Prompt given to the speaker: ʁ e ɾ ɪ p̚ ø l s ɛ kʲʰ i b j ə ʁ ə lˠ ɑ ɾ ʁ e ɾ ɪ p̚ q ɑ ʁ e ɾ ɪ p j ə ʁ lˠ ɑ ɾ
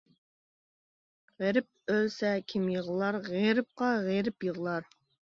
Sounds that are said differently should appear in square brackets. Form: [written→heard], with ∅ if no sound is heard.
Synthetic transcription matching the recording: ʁ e ɾ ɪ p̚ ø l s ɛ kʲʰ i [b→m] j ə ʁ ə lˠ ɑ ɾ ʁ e ɾ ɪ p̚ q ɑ ʁ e ɾ ɪ p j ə ʁ lˠ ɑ ɾ